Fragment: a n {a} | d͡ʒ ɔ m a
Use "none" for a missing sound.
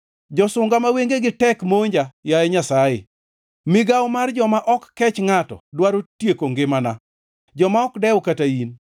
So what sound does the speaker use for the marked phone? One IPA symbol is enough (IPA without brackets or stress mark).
a